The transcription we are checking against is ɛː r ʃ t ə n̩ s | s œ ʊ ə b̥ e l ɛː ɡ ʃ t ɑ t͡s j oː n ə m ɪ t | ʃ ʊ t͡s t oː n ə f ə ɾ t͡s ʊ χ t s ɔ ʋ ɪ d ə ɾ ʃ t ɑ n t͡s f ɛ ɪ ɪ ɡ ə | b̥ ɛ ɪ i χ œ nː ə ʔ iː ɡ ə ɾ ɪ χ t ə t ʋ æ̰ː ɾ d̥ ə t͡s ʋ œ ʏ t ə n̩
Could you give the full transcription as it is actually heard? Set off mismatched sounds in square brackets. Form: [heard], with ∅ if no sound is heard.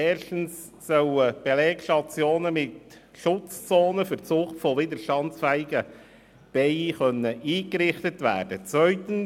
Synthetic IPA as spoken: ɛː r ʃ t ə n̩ s | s œ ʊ ə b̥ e l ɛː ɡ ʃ t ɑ t͡s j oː n ə m ɪ t | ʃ ʊ t͡s [t͡s] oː n ə f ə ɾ t͡s ʊ χ t [f] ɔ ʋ ɪ d ə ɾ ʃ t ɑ n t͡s f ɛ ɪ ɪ ɡ ə | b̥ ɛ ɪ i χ œ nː ə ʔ iː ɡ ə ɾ ɪ χ t ə t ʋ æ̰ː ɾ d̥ ə t͡s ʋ œ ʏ t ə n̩